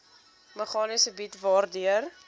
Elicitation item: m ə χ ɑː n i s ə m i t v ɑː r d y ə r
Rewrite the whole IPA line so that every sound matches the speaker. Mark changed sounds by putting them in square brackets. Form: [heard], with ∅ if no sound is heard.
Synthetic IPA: m ə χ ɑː n i s ə [b] i t v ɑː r d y ə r